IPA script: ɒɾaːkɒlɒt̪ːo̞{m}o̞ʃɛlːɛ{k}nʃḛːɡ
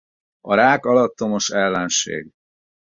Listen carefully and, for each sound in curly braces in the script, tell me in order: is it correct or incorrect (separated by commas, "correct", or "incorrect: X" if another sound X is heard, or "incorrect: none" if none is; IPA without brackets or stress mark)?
correct, incorrect: none